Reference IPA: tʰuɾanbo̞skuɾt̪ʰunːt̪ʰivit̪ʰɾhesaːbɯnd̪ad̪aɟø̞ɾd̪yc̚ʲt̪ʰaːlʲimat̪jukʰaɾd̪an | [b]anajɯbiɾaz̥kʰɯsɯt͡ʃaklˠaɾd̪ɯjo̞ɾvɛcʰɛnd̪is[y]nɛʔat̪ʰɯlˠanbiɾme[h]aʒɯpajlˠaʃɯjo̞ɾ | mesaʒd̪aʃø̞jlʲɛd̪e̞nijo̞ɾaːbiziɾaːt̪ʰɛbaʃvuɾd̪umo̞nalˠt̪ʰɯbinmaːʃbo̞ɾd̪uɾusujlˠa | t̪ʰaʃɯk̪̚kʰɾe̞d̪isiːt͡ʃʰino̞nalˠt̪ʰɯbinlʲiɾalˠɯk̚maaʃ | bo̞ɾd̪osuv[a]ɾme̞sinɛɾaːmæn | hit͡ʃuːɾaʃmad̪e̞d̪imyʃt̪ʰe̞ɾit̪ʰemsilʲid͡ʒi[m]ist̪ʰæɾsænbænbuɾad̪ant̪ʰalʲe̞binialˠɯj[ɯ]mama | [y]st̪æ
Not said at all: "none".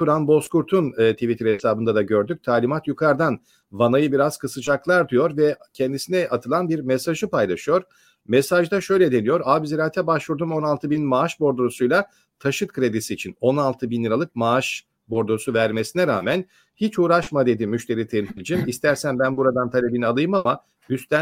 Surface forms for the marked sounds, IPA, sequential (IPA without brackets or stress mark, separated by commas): v, i, s, æ, m, ɯ, y